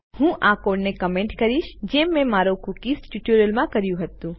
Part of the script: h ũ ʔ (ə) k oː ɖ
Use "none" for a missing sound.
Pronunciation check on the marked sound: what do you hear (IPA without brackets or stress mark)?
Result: a